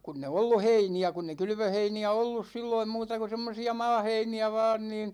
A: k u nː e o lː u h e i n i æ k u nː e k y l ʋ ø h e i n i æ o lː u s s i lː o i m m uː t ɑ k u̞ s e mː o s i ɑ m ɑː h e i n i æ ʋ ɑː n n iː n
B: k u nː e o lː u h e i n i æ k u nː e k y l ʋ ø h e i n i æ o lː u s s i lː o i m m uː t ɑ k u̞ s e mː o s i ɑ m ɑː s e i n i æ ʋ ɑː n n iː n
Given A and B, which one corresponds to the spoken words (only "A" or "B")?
A